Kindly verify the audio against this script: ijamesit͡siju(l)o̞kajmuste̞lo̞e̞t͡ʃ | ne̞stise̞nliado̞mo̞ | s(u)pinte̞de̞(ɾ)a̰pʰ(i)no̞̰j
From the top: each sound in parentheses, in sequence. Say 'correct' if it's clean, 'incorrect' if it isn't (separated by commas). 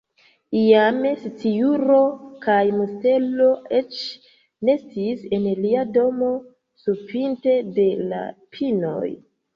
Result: incorrect, correct, incorrect, correct